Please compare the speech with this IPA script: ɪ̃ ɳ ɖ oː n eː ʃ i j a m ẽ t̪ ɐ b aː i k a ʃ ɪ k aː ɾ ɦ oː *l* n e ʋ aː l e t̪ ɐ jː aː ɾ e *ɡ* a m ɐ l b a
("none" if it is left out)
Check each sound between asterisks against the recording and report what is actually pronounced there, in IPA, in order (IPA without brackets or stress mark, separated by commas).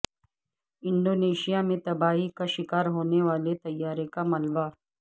none, k